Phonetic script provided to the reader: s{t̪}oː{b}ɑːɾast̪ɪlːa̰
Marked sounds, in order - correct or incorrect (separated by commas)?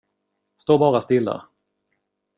correct, correct